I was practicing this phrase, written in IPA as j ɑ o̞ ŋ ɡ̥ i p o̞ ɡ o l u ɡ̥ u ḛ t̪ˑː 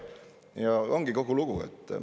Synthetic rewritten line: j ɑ o̞ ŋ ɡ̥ i k o̞ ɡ u l u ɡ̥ u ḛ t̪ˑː